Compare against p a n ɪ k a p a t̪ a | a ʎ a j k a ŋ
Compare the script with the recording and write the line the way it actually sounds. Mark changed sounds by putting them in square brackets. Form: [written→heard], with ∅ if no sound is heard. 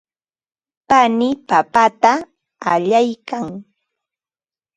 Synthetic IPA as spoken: p a n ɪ [k→p] a p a t̪ a | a ʎ a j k a ŋ